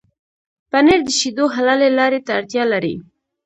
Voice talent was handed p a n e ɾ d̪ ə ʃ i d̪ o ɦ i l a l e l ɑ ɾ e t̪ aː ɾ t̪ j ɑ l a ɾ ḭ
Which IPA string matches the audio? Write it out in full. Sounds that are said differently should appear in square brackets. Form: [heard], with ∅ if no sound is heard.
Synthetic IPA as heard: p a n e ɾ d̪ ə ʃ i d̪ o ɦ [a] l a l e l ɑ ɾ e t̪ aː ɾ t̪ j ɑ l a ɾ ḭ